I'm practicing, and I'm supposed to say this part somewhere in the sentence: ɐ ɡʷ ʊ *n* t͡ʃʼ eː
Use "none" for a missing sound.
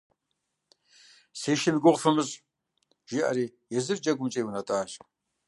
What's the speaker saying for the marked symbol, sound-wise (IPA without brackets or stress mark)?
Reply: m